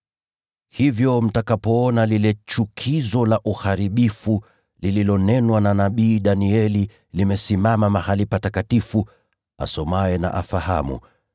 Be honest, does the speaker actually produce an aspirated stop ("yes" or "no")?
yes